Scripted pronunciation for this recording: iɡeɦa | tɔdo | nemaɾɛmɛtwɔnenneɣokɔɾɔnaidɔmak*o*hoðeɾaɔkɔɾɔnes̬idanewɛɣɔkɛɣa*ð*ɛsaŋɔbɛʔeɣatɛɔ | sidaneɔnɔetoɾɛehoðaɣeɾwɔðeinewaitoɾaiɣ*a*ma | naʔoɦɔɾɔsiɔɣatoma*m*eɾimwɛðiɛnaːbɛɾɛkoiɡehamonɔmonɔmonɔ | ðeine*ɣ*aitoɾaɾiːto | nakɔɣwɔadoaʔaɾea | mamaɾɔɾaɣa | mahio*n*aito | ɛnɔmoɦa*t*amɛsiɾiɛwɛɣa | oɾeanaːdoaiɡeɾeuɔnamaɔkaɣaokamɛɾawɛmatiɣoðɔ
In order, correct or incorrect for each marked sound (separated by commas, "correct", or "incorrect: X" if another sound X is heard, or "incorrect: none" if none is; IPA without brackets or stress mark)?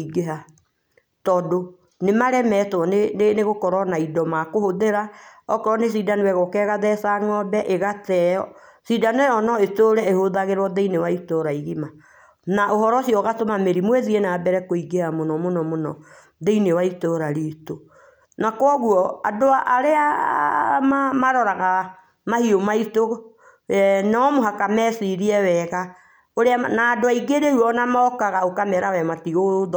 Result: correct, correct, incorrect: i, correct, incorrect: w, incorrect: m, incorrect: k